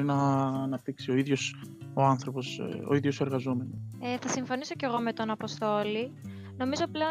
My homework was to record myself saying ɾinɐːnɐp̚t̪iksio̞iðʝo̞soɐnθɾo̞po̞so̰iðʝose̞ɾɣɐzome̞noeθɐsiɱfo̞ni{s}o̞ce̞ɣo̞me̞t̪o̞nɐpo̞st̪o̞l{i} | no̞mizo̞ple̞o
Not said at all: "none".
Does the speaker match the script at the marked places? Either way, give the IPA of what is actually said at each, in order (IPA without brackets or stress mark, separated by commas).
s, i